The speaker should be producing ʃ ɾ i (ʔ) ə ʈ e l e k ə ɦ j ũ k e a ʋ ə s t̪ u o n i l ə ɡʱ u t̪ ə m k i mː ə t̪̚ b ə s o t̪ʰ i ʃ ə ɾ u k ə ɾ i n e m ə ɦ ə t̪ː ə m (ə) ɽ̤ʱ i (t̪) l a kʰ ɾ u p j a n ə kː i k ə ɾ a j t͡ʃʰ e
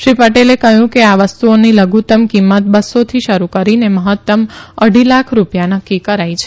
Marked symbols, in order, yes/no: no, yes, no

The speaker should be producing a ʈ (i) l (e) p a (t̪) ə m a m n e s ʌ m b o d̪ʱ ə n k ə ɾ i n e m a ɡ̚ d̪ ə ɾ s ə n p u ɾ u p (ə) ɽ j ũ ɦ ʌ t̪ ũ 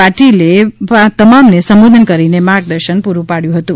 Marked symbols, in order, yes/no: yes, yes, yes, no

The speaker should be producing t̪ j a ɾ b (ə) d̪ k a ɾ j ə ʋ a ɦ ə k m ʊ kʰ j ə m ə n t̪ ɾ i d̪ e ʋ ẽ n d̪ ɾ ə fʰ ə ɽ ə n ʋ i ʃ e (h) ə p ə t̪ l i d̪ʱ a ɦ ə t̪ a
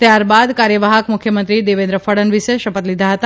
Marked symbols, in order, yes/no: no, no

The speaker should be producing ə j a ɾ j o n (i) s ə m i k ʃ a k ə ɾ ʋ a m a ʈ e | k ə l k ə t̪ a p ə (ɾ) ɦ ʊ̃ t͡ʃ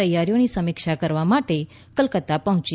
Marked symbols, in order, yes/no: yes, no

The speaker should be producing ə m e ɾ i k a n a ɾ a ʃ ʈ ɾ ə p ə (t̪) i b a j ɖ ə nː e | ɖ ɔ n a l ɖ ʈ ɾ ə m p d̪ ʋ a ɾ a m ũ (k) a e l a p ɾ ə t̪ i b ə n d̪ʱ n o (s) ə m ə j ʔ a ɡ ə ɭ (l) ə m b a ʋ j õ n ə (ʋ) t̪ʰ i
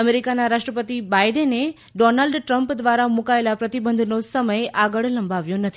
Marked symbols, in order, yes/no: yes, yes, yes, yes, no

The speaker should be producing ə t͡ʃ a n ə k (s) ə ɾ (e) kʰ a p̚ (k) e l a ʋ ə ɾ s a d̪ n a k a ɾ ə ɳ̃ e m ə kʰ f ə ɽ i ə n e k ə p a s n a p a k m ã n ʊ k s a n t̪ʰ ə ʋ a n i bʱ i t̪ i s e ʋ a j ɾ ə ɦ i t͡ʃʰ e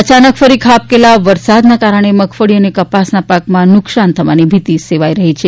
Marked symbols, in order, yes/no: no, no, yes

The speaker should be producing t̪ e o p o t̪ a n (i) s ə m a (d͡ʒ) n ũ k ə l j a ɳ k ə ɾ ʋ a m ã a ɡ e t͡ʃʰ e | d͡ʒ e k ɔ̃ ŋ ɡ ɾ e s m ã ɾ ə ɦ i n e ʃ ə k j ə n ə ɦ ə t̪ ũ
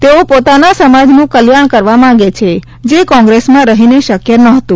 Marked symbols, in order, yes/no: no, yes

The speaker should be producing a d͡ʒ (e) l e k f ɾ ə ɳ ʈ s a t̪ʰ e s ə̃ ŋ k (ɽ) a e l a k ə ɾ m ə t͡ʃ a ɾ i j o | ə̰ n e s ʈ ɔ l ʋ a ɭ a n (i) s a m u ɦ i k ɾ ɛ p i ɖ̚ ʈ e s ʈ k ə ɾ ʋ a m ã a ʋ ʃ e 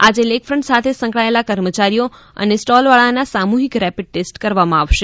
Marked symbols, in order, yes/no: yes, no, no

